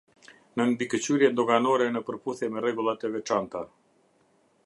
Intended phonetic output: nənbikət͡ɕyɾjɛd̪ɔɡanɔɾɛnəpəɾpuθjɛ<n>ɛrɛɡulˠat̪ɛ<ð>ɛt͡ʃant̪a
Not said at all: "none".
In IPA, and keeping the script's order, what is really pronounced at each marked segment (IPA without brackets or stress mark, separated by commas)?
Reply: m, v